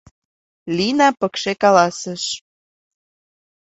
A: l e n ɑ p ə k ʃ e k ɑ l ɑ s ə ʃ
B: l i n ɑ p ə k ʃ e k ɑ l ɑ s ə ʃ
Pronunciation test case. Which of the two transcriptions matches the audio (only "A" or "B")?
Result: B